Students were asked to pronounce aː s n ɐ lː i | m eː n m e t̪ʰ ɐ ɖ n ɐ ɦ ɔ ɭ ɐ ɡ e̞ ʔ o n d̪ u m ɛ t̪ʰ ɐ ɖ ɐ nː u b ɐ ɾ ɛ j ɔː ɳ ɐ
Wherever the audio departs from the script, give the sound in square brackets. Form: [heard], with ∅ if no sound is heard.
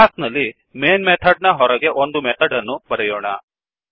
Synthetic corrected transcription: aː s n ɐ lː i | m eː n m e t̪ʰ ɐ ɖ n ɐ ɦ ɔ [ɾ] ɐ ɡ e̞ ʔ o n d̪ u m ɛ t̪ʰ ɐ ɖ ɐ nː u b ɐ ɾ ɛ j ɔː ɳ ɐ